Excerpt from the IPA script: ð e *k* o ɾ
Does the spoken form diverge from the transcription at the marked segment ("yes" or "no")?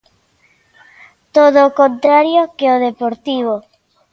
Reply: yes